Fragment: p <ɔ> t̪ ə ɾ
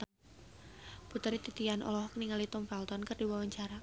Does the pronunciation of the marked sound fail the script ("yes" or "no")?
yes